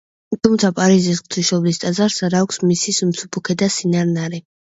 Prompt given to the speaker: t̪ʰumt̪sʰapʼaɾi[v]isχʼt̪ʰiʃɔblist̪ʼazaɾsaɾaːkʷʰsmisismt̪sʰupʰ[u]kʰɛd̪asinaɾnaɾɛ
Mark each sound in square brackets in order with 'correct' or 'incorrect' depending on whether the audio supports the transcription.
incorrect, correct

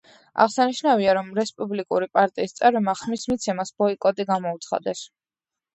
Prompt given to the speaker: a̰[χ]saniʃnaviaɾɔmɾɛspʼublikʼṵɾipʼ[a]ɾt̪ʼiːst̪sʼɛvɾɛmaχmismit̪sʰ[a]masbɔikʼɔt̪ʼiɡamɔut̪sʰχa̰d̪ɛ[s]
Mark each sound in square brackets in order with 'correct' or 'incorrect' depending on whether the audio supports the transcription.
incorrect, correct, incorrect, correct

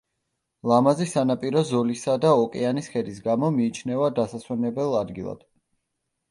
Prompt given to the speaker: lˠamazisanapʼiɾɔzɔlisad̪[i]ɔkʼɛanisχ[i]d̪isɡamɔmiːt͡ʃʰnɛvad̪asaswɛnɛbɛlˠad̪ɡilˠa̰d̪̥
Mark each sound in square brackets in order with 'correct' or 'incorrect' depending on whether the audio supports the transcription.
incorrect, incorrect

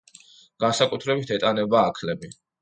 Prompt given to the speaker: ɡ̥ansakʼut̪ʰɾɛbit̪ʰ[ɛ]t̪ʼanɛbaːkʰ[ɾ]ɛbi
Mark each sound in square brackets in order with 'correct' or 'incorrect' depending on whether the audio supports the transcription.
correct, incorrect

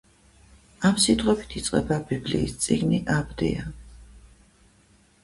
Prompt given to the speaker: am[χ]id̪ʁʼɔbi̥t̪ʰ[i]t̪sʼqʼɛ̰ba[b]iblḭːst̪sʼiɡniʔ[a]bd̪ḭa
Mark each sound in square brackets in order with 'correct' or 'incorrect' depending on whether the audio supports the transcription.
incorrect, correct, correct, correct

